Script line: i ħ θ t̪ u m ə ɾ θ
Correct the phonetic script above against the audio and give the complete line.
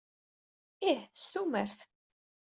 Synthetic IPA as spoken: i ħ s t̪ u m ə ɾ θ